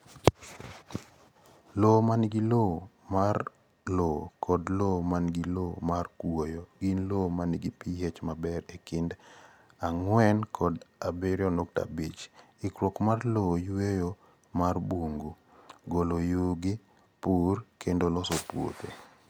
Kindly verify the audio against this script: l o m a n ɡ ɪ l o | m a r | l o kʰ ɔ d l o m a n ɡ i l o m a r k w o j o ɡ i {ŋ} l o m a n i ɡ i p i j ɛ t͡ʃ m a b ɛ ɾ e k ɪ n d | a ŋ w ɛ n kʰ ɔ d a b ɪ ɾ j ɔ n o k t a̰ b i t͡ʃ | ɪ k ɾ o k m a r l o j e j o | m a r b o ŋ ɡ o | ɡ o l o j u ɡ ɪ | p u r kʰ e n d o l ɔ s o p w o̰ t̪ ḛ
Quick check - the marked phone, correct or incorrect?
incorrect